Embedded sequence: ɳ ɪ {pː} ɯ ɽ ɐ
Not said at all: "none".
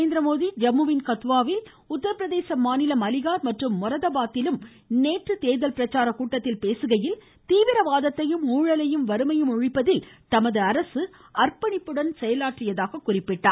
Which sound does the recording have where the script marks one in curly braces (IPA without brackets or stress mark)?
pː